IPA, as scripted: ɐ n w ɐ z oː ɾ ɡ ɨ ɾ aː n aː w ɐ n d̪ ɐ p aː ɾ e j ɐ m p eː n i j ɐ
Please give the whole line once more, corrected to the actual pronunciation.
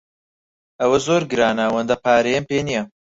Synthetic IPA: ɐ w ɐ z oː ɾ ɡ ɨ ɾ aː n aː w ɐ n d̪ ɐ p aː ɾ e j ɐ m p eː n i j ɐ